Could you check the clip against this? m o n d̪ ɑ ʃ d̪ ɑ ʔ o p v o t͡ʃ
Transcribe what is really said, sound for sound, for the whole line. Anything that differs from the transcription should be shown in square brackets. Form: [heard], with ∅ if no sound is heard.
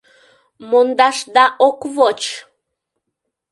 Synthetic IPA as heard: m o n d̪ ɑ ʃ d̪ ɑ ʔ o [k] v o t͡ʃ